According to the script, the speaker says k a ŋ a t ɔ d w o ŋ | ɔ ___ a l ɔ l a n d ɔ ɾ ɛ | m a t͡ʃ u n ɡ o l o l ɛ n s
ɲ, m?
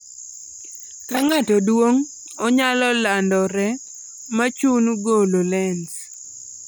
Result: ɲ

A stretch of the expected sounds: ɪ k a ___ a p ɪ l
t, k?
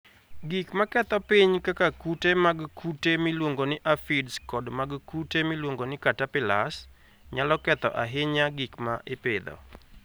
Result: t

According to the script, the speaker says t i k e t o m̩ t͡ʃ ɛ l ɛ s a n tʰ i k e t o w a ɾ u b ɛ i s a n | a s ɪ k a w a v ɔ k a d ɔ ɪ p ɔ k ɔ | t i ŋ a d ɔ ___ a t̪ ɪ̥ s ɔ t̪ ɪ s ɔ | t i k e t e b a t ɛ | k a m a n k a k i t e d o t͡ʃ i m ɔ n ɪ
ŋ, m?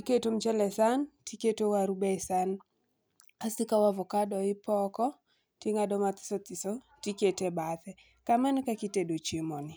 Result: m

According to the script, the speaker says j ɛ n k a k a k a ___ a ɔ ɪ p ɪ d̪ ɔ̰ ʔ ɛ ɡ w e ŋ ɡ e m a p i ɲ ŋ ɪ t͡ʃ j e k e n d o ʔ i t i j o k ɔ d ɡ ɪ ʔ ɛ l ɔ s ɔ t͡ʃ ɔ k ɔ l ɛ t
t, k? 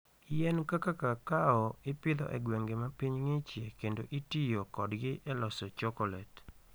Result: k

